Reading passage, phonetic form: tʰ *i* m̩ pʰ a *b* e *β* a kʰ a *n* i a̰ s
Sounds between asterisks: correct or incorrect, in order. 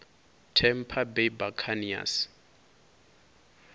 incorrect: ɛ, correct, incorrect: b, correct

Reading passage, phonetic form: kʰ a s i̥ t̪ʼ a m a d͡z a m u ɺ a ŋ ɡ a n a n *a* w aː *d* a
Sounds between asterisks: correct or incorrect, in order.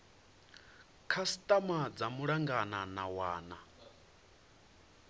correct, incorrect: n

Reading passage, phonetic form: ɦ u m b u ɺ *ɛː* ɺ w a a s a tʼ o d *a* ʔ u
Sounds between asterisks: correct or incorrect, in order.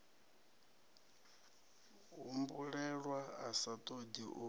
incorrect: ɛ, incorrect: i

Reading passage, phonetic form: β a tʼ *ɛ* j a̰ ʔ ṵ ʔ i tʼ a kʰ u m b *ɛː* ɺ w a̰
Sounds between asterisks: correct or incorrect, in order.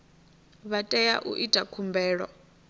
correct, correct

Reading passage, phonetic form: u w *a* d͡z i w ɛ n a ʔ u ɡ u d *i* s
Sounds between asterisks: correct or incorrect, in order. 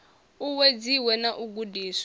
incorrect: e, incorrect: iː

